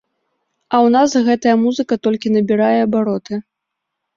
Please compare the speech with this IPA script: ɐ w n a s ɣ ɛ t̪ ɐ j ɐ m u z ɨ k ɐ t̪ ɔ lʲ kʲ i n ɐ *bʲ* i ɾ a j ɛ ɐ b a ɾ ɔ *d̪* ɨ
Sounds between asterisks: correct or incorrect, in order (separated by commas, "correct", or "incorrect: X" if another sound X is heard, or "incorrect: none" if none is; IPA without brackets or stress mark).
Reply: correct, incorrect: t̪